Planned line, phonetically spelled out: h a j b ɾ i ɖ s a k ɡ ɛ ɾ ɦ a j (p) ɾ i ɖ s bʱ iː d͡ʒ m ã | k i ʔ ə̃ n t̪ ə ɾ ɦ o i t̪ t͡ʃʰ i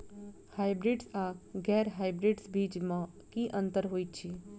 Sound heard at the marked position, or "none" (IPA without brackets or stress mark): b